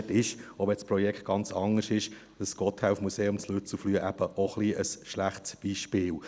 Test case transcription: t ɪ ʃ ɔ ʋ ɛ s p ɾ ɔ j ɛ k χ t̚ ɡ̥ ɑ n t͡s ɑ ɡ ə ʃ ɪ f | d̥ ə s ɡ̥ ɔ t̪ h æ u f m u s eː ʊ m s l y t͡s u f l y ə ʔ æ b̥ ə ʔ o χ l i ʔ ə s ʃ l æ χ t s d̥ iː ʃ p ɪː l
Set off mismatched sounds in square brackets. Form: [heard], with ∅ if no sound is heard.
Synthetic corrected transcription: t ɪ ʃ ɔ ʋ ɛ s p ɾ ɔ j ɛ k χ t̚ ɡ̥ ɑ n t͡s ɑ [ŋ] ə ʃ ɪ [ʃ] | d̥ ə s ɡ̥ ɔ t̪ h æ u f m u s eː ʊ m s l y t͡s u f l y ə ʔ æ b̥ ə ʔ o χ l i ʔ ə s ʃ l æ χ t s [b̥] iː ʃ p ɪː l